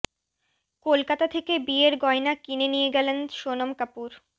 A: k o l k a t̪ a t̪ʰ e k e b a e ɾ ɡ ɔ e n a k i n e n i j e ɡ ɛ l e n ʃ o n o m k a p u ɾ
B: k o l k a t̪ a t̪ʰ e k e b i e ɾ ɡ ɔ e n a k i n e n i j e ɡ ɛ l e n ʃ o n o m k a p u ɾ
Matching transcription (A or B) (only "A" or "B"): B